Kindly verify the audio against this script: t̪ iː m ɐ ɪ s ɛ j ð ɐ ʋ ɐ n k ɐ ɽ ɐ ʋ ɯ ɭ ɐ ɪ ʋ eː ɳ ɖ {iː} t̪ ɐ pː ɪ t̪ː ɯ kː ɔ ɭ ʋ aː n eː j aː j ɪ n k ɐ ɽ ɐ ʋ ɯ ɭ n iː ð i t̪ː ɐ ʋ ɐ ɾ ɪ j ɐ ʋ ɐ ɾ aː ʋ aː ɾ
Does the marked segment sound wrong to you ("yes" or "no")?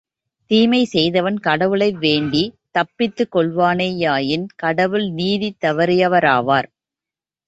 yes